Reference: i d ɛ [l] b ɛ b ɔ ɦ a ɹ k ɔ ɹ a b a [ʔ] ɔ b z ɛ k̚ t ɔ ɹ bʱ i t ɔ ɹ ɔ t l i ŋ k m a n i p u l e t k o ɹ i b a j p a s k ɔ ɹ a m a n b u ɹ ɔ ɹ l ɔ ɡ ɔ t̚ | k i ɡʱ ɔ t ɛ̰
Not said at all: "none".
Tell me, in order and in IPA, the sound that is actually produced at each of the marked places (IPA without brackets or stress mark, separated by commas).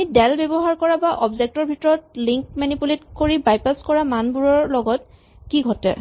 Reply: l, ʔ